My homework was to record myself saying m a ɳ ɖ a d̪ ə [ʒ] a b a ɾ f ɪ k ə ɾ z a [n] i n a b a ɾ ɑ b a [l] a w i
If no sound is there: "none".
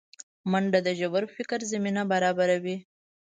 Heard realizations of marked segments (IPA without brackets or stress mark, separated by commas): ʒ, m, ɾ